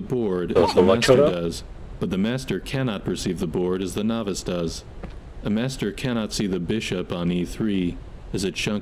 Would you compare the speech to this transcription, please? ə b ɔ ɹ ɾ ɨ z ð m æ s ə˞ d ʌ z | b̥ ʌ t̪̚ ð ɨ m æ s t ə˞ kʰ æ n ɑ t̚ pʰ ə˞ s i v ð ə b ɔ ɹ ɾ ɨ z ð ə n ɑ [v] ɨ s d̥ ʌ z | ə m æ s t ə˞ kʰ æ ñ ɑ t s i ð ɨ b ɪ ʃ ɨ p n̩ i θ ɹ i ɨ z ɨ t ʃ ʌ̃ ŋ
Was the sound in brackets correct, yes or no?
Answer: yes